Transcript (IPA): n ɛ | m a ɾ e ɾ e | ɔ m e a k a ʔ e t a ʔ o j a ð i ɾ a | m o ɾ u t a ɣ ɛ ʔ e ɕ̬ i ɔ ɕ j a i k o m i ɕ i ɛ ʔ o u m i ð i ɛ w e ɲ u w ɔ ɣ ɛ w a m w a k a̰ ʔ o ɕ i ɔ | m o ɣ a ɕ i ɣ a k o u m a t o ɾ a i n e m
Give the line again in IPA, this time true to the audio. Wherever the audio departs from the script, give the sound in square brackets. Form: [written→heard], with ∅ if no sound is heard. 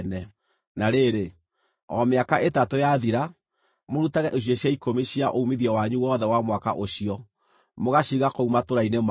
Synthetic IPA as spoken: n ɛ | [m→n] a ɾ e ɾ e | ɔ m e a k a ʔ e t a [ʔ→t] o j a ð i ɾ a | m o ɾ u t a ɣ ɛ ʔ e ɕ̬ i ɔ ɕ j a i k o m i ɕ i [ɛ→a] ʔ o u m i ð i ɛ w [e→a] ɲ u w ɔ [ɣ→ð] ɛ w a m w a k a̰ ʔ o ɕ i ɔ | m o ɣ a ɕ i ɣ a k o u m a t o ɾ a i n e m